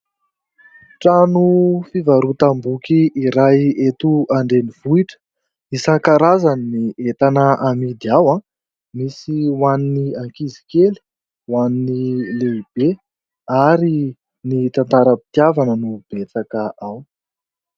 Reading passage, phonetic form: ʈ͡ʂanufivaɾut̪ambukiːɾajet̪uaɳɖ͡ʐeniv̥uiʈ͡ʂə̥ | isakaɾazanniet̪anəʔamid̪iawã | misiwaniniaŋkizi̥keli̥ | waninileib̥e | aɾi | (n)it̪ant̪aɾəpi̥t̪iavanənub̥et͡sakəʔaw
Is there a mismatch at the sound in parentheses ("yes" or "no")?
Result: no